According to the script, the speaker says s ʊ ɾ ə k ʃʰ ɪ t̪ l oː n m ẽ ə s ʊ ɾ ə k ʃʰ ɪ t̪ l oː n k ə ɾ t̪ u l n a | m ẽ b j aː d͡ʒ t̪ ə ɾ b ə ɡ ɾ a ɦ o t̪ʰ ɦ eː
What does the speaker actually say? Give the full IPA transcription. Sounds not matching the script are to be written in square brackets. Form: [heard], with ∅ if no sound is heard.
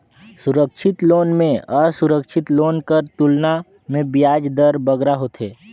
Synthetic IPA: s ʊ ɾ ə k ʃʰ ɪ t̪ l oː n m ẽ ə s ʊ ɾ ə k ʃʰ ɪ t̪ l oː n k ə ɾ t̪ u l n a | m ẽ b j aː d͡ʒ [d̪] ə ɾ b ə ɡ ɾ a ɦ o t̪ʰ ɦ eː